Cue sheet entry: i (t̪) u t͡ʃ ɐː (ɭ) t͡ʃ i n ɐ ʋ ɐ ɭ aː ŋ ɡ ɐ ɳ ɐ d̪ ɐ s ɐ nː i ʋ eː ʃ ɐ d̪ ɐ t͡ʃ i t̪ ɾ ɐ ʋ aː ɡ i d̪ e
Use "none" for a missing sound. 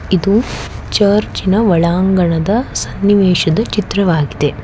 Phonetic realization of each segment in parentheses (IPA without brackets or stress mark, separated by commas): d̪, ɾ